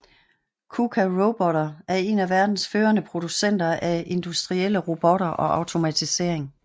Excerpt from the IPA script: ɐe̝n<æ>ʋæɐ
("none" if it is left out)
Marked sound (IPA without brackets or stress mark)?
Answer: æ